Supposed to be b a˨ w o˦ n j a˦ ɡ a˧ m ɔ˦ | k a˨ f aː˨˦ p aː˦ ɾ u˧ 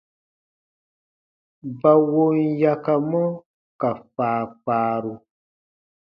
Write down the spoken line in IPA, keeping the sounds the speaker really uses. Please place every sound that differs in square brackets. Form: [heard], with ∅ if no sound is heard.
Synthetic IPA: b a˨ w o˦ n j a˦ [k] a˧ m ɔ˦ | k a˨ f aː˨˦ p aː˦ ɾ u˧